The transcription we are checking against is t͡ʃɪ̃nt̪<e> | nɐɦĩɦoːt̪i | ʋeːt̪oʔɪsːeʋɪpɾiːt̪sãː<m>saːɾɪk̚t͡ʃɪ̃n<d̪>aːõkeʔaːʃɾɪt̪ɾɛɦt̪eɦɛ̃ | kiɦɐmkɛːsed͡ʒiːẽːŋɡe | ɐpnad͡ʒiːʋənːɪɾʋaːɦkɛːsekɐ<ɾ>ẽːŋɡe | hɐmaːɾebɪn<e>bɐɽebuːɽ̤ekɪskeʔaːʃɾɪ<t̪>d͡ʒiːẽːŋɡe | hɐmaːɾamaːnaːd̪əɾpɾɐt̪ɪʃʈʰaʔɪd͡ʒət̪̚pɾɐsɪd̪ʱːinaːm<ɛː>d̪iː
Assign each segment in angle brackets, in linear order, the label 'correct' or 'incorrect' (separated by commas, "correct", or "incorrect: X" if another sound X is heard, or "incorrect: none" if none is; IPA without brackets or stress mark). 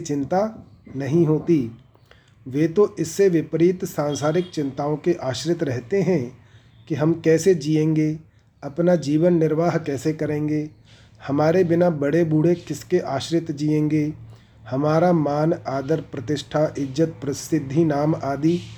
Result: incorrect: a, incorrect: n, incorrect: t̪, correct, incorrect: a, correct, incorrect: aː